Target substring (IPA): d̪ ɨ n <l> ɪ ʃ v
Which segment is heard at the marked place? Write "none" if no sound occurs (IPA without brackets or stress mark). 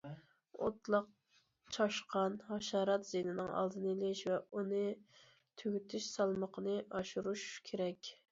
l